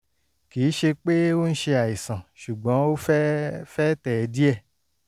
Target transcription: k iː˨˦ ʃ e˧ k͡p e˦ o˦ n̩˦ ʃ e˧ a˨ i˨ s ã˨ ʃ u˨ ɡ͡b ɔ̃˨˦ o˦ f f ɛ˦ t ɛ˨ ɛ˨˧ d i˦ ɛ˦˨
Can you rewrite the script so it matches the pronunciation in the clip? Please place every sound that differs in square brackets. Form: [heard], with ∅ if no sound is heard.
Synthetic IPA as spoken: k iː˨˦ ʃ e˧ k͡p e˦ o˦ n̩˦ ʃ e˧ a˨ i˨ s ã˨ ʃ u˨ ɡ͡b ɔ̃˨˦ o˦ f f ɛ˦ t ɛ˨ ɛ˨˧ d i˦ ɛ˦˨